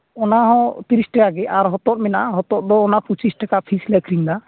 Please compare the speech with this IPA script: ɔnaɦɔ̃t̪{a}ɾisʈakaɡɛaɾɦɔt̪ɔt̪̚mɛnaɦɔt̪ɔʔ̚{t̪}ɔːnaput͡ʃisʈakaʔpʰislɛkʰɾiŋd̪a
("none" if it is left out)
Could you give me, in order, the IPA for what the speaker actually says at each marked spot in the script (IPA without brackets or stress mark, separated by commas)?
i, d̪